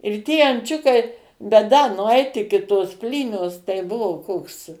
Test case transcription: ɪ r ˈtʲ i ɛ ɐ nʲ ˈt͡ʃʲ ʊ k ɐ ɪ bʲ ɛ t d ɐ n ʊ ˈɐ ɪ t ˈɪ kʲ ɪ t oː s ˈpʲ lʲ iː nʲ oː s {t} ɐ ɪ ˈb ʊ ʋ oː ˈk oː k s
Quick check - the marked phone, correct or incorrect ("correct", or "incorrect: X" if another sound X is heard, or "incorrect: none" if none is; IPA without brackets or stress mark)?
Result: correct